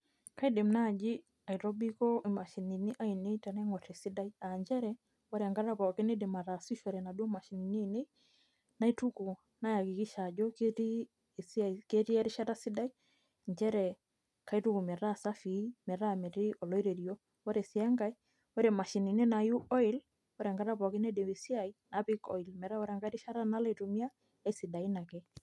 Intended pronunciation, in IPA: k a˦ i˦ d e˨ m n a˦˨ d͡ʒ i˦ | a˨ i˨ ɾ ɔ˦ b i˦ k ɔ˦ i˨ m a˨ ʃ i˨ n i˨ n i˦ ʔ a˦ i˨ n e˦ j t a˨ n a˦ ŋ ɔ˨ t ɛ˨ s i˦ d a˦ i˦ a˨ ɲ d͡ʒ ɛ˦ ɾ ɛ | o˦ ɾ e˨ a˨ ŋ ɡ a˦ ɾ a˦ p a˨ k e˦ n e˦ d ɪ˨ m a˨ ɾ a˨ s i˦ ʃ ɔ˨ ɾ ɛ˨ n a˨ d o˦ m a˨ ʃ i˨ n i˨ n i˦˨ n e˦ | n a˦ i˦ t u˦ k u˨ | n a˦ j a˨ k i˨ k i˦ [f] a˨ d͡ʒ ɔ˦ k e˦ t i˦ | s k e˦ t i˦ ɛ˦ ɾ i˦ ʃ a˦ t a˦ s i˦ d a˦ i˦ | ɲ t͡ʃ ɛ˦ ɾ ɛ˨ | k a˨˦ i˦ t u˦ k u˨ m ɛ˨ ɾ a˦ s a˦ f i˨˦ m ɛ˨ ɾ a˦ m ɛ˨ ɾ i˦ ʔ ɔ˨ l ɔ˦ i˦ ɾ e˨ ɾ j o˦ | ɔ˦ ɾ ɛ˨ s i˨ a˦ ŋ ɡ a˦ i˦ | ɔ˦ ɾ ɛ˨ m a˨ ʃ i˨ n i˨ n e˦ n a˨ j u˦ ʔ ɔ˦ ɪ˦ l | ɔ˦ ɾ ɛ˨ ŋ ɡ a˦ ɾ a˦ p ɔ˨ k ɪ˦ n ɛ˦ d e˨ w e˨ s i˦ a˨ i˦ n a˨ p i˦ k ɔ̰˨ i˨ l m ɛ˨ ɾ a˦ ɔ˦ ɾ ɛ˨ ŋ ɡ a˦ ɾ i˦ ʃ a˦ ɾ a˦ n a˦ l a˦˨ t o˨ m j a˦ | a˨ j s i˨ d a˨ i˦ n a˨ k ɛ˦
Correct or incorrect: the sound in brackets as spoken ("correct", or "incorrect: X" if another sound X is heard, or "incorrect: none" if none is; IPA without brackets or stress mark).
incorrect: ʃ